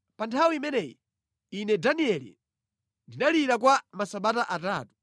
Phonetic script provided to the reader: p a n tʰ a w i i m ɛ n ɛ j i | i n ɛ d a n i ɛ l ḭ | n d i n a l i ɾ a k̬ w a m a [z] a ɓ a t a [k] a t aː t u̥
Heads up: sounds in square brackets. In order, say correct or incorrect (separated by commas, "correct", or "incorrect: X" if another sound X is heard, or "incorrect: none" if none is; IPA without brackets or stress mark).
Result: incorrect: s, incorrect: ʔ